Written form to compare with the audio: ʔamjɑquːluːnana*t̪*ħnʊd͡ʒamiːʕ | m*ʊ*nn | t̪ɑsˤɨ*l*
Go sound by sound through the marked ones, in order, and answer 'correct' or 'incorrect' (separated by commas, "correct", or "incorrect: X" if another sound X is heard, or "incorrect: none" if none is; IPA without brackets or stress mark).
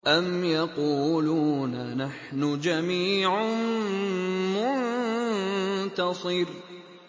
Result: incorrect: none, correct, incorrect: ɾ